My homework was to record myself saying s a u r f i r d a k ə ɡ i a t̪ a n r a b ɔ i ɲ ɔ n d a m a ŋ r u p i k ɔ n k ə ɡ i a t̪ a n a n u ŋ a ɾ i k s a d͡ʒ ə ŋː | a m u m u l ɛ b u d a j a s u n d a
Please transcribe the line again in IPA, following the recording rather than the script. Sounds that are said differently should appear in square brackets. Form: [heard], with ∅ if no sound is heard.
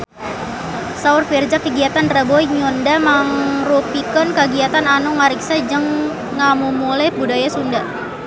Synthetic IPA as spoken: s a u r f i r [d͡ʒ] a k ə ɡ i a t̪ a n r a b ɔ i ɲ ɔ n d a m a ŋ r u p i k ɔ n k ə ɡ i a t̪ a n a n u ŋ a ɾ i k s a d͡ʒ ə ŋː | a m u m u l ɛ b u d a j a s u n d a